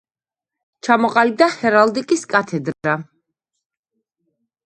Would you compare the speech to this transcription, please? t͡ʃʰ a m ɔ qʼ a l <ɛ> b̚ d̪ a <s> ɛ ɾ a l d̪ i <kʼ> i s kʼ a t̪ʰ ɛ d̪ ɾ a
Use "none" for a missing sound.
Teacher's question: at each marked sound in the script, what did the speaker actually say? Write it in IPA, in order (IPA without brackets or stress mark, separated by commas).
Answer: i, h, kʼ